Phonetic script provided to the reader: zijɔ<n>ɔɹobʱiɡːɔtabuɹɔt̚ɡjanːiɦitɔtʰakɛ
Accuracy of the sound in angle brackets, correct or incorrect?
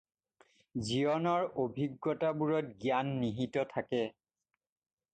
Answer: correct